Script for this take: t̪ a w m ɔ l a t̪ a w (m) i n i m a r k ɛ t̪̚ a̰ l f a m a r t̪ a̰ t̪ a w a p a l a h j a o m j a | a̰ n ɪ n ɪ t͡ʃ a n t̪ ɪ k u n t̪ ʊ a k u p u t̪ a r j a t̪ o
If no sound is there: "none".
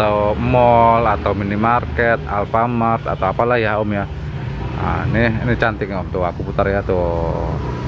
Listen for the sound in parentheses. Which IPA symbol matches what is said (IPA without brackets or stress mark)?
m